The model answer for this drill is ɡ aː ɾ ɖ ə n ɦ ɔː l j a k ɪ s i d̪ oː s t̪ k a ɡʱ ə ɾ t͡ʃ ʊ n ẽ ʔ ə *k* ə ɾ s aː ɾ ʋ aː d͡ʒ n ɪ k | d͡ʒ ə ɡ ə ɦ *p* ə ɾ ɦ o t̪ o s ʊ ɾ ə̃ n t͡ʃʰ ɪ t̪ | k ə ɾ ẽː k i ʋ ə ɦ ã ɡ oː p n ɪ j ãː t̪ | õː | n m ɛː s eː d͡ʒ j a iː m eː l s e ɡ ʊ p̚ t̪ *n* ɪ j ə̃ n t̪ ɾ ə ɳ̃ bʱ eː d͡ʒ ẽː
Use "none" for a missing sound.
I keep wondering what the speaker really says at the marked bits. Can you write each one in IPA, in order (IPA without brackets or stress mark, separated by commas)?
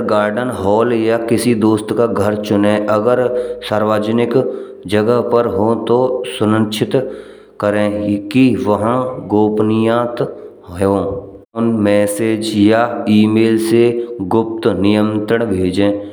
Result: ɡ, p, n